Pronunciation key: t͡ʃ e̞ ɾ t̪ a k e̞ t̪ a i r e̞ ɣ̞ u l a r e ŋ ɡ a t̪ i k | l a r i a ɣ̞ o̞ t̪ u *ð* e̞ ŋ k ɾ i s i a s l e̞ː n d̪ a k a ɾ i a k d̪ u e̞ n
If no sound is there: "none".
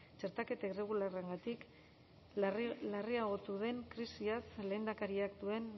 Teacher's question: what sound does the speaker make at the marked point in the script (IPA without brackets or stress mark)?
ð